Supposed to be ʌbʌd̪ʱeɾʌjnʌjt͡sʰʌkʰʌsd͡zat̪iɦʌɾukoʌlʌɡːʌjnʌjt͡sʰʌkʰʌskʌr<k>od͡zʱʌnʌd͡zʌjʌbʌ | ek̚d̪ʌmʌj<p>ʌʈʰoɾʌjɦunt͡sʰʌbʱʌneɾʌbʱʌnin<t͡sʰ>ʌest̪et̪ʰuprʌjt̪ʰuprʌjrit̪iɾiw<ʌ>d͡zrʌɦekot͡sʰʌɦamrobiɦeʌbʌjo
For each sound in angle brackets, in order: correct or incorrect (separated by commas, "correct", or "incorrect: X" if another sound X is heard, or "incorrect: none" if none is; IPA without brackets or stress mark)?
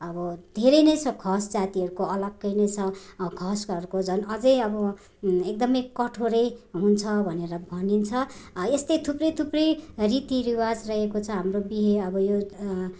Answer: correct, incorrect: k, correct, incorrect: a